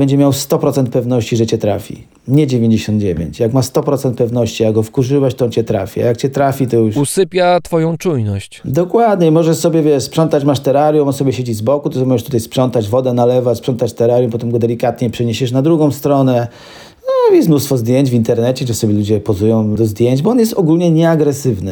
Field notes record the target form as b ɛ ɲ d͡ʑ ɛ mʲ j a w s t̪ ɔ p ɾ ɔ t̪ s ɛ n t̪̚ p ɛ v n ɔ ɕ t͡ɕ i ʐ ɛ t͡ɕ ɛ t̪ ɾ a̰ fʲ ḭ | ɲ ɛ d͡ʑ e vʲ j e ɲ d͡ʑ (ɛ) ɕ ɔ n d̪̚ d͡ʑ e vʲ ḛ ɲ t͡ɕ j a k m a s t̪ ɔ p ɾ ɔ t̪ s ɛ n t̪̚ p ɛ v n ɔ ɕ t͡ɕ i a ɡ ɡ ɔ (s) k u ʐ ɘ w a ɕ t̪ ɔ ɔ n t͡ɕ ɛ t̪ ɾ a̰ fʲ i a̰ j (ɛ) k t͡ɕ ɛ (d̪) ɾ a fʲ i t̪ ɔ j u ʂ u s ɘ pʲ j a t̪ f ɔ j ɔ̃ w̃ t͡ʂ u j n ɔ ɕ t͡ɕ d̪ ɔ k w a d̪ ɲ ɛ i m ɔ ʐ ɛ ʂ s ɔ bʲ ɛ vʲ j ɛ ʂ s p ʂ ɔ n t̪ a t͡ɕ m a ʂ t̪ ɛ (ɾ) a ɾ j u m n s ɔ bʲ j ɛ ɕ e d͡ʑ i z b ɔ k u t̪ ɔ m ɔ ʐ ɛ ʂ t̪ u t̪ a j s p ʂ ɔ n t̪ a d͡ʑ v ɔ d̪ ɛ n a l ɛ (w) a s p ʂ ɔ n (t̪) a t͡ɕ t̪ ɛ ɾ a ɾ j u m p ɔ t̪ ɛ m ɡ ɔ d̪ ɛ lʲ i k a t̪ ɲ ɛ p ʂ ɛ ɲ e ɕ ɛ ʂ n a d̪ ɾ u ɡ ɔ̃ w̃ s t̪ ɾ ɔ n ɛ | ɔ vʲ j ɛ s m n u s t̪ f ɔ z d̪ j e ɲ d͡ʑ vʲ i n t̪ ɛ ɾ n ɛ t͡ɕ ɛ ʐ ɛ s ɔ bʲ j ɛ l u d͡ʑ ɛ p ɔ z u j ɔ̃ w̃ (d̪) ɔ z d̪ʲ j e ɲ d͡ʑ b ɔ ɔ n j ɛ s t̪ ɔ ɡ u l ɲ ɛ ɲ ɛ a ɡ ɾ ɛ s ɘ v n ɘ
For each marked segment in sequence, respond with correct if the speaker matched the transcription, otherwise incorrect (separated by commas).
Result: incorrect, incorrect, incorrect, incorrect, correct, incorrect, correct, correct